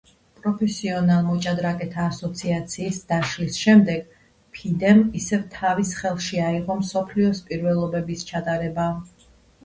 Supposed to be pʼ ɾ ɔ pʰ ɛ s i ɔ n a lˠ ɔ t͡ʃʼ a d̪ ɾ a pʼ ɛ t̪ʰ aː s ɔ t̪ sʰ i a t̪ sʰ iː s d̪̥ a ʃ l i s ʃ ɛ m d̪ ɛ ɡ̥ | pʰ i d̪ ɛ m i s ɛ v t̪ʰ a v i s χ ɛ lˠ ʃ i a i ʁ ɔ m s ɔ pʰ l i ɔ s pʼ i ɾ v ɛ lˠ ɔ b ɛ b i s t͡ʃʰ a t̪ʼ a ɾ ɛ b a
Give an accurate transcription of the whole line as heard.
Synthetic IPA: pʼ ɾ ɔ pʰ ɛ s i ɔ n a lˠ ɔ t͡ʃʼ a d̪ ɾ a kʼ ɛ t̪ʰ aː s ɔ t̪ sʰ i a t̪ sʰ iː s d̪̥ a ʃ l i s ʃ ɛ m d̪ ɛ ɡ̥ | pʰ i d̪ ɛ m i s ɛ v t̪ʰ a v i s χ ɛ lˠ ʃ i a i ʁ ɔ m s ɔ pʰ l i ɔ s pʼ i ɾ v ɛ lˠ ɔ b ɛ b i s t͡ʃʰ a t̪ʼ a ɾ ɛ b a